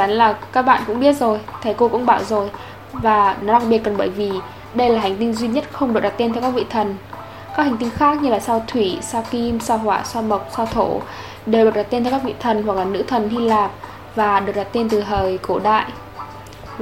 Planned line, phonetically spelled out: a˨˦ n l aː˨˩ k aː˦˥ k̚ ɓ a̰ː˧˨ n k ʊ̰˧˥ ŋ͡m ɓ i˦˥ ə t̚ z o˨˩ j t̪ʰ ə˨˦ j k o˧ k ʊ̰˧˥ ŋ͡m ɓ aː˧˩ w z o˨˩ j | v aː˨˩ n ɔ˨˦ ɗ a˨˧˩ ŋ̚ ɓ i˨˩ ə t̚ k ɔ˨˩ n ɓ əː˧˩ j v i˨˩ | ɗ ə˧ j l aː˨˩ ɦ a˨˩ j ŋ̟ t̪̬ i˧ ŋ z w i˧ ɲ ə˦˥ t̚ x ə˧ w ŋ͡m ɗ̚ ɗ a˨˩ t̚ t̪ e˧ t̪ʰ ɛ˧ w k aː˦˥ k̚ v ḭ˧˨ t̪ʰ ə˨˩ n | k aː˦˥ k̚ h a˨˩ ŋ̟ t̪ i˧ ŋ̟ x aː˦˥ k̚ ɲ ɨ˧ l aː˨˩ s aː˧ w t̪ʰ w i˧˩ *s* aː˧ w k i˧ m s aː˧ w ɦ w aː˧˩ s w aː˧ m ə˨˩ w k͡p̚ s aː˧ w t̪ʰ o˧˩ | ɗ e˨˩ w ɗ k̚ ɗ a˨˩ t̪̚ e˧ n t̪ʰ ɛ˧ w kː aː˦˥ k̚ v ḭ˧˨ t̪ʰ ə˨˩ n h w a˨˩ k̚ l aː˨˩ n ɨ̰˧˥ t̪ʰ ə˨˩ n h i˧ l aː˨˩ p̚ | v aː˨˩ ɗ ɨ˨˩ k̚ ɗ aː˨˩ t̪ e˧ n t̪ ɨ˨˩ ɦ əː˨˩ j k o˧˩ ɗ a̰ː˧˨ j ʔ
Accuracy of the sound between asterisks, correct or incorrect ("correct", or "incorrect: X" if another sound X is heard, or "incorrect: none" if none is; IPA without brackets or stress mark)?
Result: correct